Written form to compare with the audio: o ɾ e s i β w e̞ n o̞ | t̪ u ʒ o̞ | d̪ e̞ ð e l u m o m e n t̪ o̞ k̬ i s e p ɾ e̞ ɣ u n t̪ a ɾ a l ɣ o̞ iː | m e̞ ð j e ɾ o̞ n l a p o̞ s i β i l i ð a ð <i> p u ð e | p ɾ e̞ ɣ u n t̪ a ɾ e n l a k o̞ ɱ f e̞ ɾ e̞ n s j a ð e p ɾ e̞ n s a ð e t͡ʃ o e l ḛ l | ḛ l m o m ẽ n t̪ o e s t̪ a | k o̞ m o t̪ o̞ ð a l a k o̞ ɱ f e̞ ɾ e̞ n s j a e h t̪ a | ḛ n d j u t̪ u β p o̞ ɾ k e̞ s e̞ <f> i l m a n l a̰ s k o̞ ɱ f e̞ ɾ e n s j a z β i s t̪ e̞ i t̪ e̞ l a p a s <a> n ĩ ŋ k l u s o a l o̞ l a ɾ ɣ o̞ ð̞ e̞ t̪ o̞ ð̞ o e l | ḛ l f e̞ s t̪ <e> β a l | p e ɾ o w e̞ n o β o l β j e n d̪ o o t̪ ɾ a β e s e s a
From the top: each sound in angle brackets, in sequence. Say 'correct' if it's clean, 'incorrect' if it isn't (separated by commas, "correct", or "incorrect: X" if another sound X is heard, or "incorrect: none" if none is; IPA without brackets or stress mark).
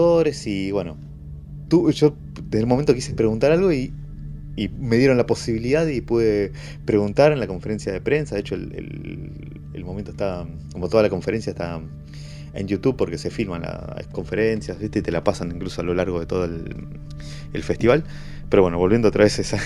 correct, correct, correct, incorrect: i